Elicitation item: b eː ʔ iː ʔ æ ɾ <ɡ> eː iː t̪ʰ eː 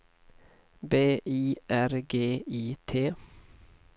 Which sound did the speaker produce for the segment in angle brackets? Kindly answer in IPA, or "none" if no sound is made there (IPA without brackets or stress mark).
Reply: ɡ